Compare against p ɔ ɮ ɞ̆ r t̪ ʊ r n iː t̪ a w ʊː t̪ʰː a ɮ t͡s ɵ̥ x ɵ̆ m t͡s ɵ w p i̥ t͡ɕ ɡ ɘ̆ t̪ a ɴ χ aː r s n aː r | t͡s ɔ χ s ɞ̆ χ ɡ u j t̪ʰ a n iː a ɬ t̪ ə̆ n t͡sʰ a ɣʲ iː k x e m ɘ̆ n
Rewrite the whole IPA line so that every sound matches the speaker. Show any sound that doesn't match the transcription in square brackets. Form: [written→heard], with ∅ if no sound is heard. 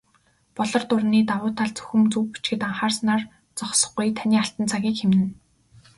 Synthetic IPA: p ɔ ɮ ɞ̆ r t̪ ʊ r n iː t̪ a w ʊː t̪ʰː a ɮ t͡s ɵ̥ x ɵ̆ m t͡s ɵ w p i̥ t͡ɕ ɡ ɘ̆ t̪ a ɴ χ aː r s n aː r | t͡s ɔ χ s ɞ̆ χ ɡ u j t̪ʰ a n iː a ɬ t̪ ə̆ n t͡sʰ a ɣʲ iː k x e m ɘ̆ n

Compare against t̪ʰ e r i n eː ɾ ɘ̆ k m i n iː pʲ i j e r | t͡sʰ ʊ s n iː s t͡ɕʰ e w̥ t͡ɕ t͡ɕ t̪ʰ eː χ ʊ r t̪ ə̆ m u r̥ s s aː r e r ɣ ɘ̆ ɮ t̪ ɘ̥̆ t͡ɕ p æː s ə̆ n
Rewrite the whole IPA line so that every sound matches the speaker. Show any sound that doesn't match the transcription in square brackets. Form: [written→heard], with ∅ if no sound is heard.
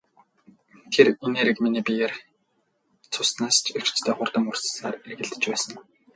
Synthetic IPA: t̪ʰ e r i n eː ɾ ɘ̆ k m i n iː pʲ i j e r | t͡sʰ ʊ s n [iː→aː] s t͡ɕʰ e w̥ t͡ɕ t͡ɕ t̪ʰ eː χ ʊ r t̪ ə̆ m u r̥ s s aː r e r ɣ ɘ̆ ɮ t̪ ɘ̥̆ t͡ɕ p æː s ə̆ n

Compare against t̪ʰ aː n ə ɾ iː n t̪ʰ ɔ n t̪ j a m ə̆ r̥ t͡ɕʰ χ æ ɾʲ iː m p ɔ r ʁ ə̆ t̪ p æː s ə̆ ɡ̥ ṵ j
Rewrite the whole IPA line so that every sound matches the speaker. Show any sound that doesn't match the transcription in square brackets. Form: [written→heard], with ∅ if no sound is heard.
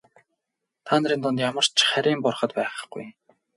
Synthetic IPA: t̪ʰ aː n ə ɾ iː n [t̪ʰ→t̪] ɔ n t̪ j a m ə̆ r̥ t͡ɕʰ χ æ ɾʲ iː m p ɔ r [ʁ→χ] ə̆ t̪ p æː [s→χ] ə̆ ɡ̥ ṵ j

